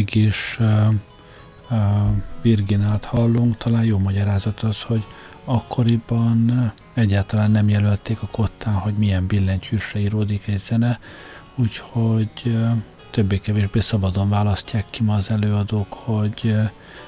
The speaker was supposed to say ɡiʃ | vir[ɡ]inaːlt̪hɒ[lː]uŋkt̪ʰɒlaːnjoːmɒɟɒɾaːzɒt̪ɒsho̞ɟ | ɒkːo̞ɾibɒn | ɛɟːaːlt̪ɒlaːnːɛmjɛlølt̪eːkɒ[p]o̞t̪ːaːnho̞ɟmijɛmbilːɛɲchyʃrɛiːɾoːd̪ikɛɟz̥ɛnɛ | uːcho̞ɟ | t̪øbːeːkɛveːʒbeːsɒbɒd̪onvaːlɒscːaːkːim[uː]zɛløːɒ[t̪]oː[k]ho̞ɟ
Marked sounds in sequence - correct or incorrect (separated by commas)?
correct, correct, incorrect, incorrect, incorrect, correct